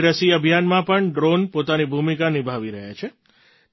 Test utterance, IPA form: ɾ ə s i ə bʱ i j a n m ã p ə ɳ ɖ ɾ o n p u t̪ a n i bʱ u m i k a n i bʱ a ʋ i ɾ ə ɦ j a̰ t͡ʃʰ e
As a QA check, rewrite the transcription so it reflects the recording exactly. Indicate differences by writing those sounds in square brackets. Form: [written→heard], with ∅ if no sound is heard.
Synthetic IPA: ɾ ə s i ə bʱ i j a n m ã p ə ɳ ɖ ɾ o n p [u→o] t̪ a n i bʱ u m i k a n i bʱ a ʋ i ɾ ə ɦ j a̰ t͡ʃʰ e